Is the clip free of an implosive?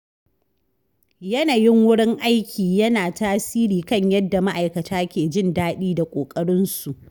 no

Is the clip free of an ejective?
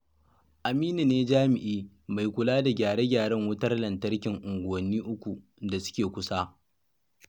yes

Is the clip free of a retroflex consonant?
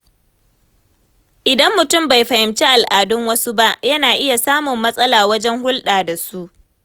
yes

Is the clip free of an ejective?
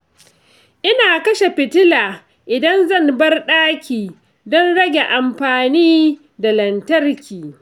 yes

